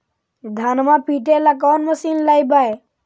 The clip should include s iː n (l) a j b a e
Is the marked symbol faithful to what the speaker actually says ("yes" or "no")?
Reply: yes